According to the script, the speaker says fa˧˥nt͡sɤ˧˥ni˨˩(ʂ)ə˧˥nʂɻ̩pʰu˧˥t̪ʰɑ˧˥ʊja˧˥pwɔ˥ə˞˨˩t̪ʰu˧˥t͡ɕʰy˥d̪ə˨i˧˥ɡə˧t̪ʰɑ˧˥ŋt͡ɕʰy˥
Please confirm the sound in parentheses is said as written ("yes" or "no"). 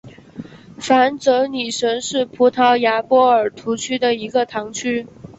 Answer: yes